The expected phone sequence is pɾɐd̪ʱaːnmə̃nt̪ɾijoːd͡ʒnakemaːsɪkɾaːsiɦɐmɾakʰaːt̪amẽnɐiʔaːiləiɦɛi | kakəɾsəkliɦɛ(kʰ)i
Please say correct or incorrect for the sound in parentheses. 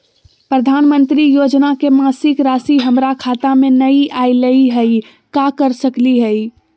incorrect